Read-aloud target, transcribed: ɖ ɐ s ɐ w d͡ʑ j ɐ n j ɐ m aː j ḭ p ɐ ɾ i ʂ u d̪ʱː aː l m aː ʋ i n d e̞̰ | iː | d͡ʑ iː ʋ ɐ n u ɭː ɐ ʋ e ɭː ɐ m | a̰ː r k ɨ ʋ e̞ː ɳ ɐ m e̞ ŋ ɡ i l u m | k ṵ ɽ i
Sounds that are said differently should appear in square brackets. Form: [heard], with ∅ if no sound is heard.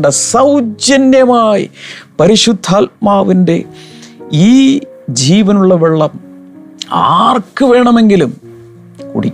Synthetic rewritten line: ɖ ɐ s ɐ w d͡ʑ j ɐ n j ɐ m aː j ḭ p ɐ ɾ i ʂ u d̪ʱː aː l m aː ʋ i n d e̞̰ | iː | d͡ʑ iː ʋ ɐ n u ɭː ɐ ʋ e ɭː ɐ m | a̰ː r k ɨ ʋ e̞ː ɳ ɐ m e̞ ŋ ɡ i l u m | k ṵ ɽ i